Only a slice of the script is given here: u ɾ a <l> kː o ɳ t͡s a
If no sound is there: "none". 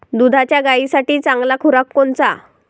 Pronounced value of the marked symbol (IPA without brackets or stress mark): none